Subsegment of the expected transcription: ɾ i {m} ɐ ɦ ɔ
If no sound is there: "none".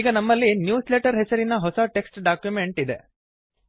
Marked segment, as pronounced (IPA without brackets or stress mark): n